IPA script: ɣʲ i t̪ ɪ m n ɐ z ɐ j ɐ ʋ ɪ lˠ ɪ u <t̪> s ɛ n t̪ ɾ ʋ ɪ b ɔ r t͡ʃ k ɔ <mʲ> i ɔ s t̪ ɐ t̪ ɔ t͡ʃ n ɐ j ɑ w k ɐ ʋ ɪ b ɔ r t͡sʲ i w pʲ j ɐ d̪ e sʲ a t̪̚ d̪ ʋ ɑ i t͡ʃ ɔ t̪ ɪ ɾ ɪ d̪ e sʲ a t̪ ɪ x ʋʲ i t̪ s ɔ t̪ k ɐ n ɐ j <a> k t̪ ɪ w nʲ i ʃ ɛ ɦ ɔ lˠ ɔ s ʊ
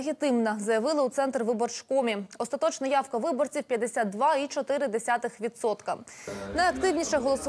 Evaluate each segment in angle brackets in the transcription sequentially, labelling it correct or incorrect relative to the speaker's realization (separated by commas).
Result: correct, correct, incorrect